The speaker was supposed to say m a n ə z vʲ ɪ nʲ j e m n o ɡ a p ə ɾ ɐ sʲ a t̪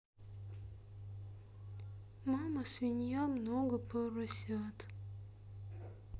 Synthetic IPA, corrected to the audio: m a m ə s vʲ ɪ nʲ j a m n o ɡ ə p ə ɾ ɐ sʲ a t̪